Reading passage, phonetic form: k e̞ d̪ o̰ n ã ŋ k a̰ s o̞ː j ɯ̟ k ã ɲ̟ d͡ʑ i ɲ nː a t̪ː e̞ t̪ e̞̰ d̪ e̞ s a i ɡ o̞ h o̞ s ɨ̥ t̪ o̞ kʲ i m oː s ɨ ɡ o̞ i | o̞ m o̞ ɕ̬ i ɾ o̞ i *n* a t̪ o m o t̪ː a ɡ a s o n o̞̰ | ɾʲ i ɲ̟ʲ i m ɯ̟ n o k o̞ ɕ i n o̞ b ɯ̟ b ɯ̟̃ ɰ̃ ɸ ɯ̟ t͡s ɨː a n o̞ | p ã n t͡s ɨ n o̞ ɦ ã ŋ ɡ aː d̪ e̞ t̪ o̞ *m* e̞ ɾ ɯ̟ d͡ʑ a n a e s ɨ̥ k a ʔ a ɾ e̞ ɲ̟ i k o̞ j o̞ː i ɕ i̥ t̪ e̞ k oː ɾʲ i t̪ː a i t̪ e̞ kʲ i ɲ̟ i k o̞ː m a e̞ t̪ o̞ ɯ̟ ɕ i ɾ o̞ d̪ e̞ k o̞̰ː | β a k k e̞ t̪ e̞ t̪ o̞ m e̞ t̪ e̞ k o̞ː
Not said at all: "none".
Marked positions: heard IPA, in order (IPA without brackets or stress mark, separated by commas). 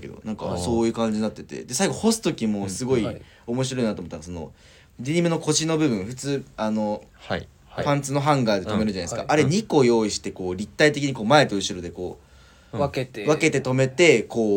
n, m